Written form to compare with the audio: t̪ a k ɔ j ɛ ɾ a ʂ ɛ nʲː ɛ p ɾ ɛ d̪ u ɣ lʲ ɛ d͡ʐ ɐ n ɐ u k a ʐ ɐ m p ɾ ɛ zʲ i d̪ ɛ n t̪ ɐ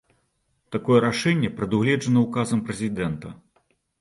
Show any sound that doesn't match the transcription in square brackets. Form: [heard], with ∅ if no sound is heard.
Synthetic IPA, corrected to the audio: t̪ a k ɔ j ɛ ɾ a ʂ ɛ nʲː ɛ p ɾ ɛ d̪ u ɣ lʲ ɛ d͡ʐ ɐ n ɐ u k a [z] ɐ m p ɾ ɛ zʲ i d̪ ɛ n t̪ ɐ